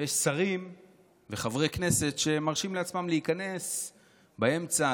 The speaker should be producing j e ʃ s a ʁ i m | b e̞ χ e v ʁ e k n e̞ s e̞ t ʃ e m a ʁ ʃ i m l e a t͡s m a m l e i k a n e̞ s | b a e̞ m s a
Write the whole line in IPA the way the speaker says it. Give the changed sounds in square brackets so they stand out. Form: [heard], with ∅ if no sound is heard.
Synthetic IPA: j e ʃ s a ʁ i m | [v] e̞ χ [a] v ʁ e k n e̞ s e̞ t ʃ e m a ʁ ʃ i m l e a t͡s m a m l e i k a n e̞ s | b a e̞ m [t͡s] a

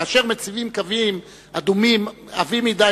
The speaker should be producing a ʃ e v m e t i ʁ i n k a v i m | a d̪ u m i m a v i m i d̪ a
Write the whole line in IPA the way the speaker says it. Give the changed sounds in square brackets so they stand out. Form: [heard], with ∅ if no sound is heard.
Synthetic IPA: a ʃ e [ʁ] m e [t͡s] i [v] i [m] k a v i m | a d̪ u m i m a v i m i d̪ a

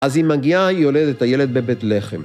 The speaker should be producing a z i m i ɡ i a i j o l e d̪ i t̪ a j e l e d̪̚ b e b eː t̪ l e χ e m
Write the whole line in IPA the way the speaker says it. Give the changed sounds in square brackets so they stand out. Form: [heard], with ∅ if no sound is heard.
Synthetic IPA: a z i m [a] ɡ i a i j o l e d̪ [e] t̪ a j e l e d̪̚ b e b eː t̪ l e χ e m

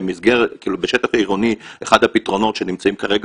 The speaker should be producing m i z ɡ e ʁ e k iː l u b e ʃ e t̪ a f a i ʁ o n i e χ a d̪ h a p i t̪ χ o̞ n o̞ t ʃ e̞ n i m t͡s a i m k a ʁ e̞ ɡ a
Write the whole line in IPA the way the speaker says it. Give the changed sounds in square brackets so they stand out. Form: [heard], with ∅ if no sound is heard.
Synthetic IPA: m i z ɡ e ʁ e k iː l u b e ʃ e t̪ a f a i ʁ o n i e χ a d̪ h a p i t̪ [ʁ] o̞ n o̞ t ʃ e̞ n i m t͡s a i m k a ʁ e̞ ɡ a

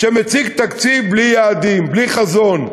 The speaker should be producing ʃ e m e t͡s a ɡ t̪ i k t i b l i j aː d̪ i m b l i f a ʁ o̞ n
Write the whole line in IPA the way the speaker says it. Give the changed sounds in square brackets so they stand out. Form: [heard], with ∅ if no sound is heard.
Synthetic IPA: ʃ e m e t͡s [i] ɡ t̪ [a] k [t͡s] i b l i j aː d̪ i m b l i [χ] a [z] o̞ n

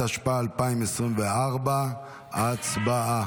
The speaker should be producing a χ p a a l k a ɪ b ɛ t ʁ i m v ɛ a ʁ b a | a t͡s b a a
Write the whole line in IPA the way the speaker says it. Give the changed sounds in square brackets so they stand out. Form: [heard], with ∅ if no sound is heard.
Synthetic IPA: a [ʃ] p a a l [p] a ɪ [m] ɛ [s] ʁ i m v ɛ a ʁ b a | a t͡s b a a

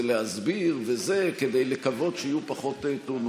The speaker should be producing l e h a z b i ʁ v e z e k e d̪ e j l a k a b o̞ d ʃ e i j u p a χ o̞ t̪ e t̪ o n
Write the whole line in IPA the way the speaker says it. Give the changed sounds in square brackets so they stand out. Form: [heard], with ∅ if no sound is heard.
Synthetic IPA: l e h a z b i ʁ v e z e k e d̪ e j l [e] k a [v] o̞ d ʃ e i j u p a χ o̞ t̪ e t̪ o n

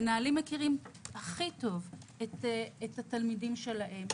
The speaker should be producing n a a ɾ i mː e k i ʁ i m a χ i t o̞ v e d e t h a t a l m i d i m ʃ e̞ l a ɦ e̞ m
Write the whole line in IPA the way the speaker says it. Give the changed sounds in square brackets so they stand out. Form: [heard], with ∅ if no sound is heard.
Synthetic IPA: n a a [l] i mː e k i ʁ i m a χ i t o̞ v e [t] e t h a t a l m i d i m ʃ e̞ l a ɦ e̞ m

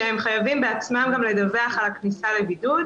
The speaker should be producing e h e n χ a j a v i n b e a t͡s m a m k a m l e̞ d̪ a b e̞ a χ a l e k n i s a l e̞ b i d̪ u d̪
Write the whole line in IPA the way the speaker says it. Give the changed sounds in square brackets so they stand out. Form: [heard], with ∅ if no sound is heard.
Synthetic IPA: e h e [m] χ a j a v i [m] b e a t͡s m a m [ɡ] a m l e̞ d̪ a [v] e̞ a χ a l [a] k n i s a l e̞ b i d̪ u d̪

